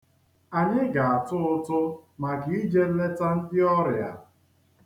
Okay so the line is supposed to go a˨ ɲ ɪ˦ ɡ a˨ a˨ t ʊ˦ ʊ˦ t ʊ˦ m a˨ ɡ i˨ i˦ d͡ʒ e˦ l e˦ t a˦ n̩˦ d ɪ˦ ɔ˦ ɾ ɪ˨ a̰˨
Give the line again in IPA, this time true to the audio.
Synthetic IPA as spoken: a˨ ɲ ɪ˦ ɡ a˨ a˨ t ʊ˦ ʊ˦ t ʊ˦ m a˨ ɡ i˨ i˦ d͡ʒ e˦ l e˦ t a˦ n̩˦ d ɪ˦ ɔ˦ ɾ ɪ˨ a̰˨